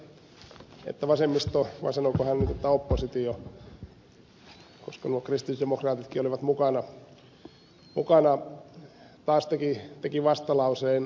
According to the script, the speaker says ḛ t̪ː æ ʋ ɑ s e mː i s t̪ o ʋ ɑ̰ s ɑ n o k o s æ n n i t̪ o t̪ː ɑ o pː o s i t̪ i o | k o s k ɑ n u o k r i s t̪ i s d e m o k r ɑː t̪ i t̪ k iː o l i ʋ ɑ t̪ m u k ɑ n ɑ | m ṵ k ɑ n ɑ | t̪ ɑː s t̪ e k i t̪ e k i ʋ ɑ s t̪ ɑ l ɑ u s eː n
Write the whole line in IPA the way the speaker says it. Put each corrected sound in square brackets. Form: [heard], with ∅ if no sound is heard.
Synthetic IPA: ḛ t̪ː æ ʋ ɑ s e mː i s t̪ o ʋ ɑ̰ s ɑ n o k o [h] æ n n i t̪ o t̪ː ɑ o pː o s i t̪ i o | k o s k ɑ n u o k r i s t̪ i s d e m o k r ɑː t̪ i t̪ k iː o l i ʋ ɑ t̪ m u k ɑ n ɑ | m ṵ k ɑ n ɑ | t̪ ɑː s t̪ e k i t̪ e k i ʋ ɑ s t̪ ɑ l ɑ u s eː n